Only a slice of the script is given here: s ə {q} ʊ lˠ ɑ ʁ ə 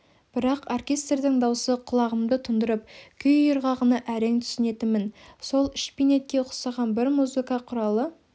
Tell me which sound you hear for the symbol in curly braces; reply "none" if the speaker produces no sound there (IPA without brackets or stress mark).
qʰ